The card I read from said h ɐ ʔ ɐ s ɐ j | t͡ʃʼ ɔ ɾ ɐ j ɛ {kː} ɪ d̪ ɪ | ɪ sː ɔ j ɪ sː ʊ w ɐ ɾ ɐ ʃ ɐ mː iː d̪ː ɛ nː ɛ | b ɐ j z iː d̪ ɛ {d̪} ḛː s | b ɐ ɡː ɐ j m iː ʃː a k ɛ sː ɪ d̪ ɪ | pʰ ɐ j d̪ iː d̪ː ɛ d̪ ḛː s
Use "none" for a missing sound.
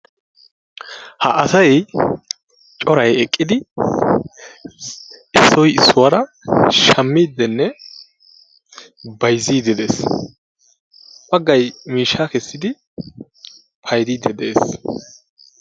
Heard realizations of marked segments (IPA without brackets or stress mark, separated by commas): kʼː, d̪